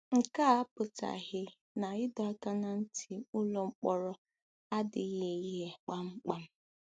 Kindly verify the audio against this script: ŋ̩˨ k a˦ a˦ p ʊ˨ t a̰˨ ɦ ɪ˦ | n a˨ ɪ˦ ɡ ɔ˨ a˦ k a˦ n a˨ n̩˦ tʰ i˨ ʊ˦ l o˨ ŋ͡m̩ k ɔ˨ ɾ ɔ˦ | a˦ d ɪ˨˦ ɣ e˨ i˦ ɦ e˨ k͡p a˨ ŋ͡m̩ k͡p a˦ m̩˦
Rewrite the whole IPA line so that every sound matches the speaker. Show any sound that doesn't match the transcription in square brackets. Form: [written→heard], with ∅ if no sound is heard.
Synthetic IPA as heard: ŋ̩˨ k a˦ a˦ p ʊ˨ t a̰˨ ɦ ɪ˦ | n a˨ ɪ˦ [ɡ→d] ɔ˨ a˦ k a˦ n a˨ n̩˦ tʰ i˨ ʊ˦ l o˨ ŋ͡m̩ [k→k͡p] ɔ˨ ɾ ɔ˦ | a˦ d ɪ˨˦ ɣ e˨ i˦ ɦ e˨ k͡p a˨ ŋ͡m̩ k͡p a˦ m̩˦